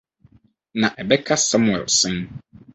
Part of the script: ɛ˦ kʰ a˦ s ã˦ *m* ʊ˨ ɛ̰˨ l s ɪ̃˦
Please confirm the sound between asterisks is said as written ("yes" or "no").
yes